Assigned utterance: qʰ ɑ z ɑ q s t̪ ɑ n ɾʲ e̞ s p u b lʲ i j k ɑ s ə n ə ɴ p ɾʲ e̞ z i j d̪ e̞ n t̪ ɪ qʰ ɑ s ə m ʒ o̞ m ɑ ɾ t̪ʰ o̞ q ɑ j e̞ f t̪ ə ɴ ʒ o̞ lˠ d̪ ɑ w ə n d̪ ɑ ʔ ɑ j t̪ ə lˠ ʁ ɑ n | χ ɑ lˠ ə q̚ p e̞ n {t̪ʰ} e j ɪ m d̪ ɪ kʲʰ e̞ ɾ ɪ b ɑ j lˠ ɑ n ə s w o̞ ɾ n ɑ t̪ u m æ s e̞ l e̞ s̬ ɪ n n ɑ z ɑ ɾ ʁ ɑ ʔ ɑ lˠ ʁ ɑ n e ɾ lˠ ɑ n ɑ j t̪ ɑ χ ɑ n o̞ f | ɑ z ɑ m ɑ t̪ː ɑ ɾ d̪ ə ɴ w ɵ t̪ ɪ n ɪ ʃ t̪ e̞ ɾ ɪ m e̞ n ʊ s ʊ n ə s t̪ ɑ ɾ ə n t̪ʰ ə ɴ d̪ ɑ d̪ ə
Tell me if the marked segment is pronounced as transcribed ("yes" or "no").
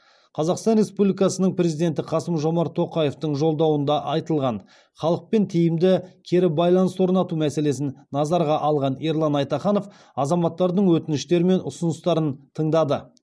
yes